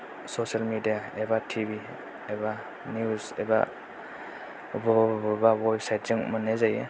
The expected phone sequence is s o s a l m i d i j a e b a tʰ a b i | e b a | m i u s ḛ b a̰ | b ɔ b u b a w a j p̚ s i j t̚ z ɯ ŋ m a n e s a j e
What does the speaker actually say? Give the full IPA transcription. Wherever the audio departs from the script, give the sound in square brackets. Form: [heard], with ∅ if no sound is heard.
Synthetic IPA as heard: s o s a l m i d i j a e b a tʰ [i] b i | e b a | [n] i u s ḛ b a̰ | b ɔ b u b a w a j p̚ s [a] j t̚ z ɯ ŋ m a n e [z] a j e

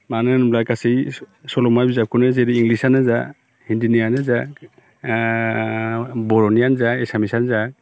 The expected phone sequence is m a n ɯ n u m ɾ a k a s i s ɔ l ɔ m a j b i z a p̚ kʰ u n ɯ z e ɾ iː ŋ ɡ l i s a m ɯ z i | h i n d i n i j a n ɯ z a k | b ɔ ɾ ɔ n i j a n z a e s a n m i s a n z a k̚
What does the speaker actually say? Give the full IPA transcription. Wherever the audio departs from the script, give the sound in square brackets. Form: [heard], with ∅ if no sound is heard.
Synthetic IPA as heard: m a n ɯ n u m [l] a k a s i s ɔ l ɔ m a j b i z a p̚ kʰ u n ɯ z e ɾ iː ŋ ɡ l i s a [n] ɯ z [a] | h i n d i n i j a n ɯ z a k | b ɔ ɾ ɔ n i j a n z a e s a [∅] m i s a n z a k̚

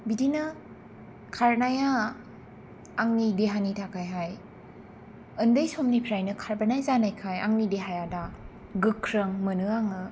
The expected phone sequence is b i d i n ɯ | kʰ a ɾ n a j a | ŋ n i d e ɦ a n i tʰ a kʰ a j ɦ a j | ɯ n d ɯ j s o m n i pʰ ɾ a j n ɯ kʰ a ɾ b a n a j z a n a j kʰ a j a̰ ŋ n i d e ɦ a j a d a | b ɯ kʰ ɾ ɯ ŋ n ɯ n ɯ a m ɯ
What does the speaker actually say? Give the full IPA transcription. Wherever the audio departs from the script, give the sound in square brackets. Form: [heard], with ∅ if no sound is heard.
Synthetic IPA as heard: b i d i n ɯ | kʰ a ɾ n a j a | ŋ n i d e ɦ a n i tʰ a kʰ a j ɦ a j | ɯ n d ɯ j s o m n i pʰ ɾ a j n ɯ kʰ a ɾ b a n a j z a n a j kʰ a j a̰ ŋ n i d e ɦ a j a d a | [ɡ] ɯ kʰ ɾ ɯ ŋ [m] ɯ n ɯ a [ŋ] ɯ

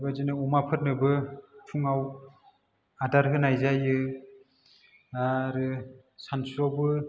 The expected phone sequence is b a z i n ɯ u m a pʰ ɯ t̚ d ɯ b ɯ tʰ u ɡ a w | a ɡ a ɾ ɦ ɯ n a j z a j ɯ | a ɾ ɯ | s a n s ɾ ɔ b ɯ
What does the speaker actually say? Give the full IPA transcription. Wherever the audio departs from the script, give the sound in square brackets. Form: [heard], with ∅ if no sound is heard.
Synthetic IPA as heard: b a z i n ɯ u m a pʰ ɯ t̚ [n] ɯ b ɯ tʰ u [ŋ] a w | a [d] a ɾ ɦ ɯ n a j z a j ɯ | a ɾ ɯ | s a n s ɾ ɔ b ɯ

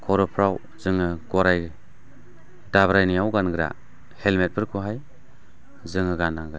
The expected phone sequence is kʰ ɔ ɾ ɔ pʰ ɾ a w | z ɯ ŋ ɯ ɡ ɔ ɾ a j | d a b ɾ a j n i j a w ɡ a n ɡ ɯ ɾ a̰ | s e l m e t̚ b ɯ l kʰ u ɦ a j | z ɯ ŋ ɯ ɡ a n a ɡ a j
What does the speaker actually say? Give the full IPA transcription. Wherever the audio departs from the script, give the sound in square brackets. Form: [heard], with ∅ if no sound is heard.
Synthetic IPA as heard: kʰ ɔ ɾ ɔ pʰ ɾ a w | z ɯ ŋ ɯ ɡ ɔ ɾ a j | d a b ɾ a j n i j a w ɡ a n ɡ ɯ ɾ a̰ | [h] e l m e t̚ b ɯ [ɾ] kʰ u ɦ a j | z ɯ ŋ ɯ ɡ a n a ɡ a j

